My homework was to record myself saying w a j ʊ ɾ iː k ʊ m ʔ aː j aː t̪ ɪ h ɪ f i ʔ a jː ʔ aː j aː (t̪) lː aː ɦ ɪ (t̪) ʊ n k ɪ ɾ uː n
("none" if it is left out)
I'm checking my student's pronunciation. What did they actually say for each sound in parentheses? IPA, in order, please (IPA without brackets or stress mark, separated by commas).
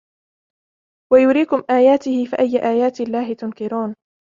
t̪, t̪